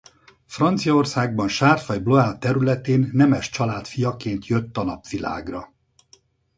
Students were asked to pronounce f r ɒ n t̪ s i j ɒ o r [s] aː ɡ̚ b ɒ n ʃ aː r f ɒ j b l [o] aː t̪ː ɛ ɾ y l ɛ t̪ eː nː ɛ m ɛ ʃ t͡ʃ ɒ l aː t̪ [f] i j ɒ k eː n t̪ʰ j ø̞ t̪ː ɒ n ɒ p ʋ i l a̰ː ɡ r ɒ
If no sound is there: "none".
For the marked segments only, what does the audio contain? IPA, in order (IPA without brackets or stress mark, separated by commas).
s, o, f